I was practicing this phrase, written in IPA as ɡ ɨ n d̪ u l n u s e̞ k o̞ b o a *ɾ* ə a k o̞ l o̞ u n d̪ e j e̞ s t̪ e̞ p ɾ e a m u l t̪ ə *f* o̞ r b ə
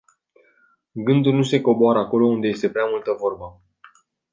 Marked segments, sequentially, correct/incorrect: correct, incorrect

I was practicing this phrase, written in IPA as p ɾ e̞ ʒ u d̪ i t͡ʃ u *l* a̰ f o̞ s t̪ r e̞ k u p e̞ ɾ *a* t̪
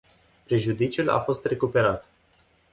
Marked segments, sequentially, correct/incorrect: correct, correct

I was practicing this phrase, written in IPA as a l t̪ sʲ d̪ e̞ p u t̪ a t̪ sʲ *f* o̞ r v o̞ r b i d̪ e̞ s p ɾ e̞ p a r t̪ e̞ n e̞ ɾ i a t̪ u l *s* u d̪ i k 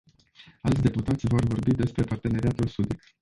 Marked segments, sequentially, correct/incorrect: incorrect, correct

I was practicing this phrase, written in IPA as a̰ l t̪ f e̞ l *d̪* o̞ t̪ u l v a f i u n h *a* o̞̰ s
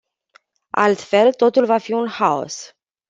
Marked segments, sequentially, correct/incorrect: incorrect, correct

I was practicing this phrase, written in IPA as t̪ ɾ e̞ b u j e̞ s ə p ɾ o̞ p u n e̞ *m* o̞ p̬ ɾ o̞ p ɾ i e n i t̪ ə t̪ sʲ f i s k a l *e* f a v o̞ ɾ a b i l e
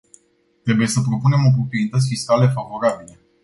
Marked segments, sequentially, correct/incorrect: correct, correct

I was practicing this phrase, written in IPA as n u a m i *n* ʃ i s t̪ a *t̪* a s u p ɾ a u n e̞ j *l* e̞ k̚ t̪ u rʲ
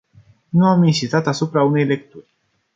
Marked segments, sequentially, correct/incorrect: correct, correct, correct

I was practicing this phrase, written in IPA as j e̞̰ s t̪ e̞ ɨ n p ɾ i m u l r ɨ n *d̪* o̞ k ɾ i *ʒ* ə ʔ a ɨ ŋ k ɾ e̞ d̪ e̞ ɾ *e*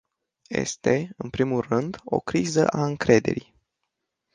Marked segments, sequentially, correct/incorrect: correct, incorrect, incorrect

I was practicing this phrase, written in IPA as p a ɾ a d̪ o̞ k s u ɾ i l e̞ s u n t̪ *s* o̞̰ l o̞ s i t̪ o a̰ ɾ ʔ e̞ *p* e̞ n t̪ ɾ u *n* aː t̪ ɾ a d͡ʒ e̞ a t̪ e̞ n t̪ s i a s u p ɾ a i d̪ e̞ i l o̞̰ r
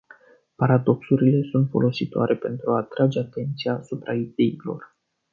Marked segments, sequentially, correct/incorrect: incorrect, correct, incorrect

